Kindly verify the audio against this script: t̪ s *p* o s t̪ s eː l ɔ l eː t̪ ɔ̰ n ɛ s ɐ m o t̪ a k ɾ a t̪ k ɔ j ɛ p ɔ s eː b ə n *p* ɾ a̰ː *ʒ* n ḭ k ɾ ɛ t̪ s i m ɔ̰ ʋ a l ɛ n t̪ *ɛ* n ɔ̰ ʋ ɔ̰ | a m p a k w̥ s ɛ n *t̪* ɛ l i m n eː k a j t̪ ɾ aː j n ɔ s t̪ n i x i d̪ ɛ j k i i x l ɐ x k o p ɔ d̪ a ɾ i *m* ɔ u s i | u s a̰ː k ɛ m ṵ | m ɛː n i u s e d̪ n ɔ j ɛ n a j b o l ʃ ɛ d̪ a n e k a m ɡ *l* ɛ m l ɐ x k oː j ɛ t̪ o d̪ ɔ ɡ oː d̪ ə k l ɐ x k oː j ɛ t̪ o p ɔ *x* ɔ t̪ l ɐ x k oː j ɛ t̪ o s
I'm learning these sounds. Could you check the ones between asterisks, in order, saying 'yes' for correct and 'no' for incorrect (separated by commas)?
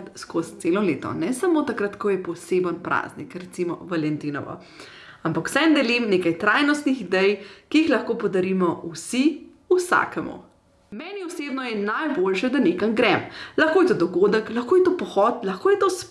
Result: no, yes, no, no, no, yes, no, yes